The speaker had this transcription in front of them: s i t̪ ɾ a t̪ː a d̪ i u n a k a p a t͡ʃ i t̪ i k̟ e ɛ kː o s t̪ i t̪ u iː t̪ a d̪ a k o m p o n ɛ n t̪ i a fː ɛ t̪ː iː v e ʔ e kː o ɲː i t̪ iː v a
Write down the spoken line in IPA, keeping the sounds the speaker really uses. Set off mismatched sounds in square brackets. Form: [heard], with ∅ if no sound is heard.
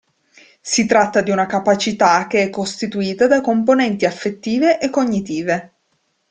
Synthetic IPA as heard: s i t̪ ɾ a t̪ː a d̪ i u n a k a p a t͡ʃ i t̪ [a] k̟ e ɛ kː o s t̪ i t̪ u iː t̪ a d̪ a k o m p o n ɛ n t̪ i a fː [e] t̪ː iː v e ʔ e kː o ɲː i t̪ iː v [e]